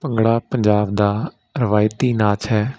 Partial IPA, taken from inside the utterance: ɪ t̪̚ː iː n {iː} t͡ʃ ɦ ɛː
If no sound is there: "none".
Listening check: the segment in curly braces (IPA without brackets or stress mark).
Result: aː